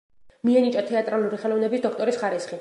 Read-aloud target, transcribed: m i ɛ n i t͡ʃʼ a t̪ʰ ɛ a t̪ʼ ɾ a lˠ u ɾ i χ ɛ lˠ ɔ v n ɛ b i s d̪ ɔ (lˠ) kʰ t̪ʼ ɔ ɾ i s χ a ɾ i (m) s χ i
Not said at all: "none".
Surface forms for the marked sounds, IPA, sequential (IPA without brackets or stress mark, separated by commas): none, none